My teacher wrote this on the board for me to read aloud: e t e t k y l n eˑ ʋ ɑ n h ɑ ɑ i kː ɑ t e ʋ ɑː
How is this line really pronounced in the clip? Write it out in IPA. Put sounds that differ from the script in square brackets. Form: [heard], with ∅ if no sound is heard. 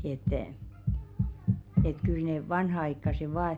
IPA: e t e t k y l n eˑ ʋ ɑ n h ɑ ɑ i kː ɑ [s] e ʋ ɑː